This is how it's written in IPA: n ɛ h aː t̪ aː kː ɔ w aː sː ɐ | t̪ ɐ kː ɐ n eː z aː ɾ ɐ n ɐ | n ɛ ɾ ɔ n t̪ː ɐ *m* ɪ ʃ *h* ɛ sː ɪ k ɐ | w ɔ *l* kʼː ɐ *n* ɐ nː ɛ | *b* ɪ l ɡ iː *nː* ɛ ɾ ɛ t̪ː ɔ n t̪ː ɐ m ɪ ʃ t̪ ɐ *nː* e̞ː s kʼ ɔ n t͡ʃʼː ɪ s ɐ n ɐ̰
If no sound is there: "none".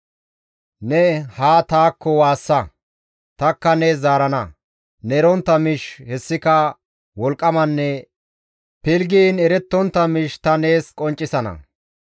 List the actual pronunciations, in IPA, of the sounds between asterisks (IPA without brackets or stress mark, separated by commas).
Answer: m, h, l, m, p, n, n